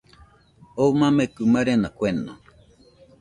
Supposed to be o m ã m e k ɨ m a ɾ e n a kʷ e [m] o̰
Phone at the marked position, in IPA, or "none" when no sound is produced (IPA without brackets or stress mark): n